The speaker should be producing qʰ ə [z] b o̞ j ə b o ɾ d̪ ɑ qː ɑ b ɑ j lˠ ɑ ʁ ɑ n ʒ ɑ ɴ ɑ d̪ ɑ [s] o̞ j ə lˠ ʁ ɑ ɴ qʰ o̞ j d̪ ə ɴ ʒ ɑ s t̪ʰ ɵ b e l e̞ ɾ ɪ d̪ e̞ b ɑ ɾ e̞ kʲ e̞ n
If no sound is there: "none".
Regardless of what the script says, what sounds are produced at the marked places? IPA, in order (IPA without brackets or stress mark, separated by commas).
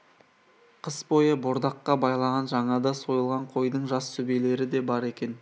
s, s